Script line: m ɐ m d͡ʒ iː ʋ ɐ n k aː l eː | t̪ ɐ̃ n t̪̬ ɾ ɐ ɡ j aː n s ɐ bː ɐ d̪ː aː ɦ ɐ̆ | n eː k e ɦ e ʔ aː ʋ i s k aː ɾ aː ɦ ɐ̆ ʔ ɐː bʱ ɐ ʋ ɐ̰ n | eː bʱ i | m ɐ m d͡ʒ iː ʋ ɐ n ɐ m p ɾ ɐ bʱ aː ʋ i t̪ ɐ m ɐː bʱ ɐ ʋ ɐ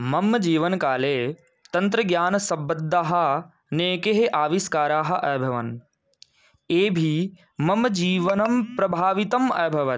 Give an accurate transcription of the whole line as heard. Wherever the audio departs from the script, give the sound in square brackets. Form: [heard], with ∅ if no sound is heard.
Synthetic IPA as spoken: m ɐ m d͡ʒ iː ʋ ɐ n k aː l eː | t̪ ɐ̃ n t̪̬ ɾ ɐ ɡ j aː n s ɐ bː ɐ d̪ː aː ɦ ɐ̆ | n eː k e ɦ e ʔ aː ʋ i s k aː ɾ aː ɦ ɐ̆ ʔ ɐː bʱ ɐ ʋ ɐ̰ n | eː bʱ i | m ɐ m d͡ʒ iː ʋ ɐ n ɐ m p ɾ ɐ bʱ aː ʋ i t̪ ɐ m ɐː bʱ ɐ ʋ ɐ